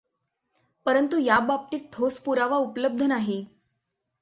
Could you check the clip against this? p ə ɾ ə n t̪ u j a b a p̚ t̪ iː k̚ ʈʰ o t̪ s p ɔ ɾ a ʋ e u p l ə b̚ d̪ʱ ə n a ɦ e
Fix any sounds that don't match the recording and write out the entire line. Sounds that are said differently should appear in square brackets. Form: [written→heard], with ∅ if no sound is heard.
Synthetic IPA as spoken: p ə ɾ ə n t̪ u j a b a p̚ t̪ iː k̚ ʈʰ o [t̪→∅] s p [ɔ→u] ɾ a ʋ [e→a] u p l ə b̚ d̪ʱ ə n a ɦ e